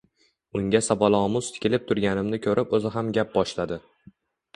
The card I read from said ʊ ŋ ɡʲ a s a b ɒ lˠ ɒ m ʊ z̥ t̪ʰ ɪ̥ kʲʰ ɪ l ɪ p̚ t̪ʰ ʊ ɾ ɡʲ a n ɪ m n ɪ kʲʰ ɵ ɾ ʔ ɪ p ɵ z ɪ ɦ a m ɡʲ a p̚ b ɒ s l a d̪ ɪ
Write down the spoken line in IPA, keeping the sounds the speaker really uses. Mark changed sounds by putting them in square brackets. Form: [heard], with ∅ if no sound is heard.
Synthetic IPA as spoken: ʊ ŋ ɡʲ a s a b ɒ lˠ ɒ m ʊ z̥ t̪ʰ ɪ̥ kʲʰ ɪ l ɪ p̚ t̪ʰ ʊ ɾ ɡʲ a n ɪ m n ɪ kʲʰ ɵ ɾ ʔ ɪ p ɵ z ɪ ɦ a m ɡʲ a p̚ b ɒ [ʃ] l a d̪ ɪ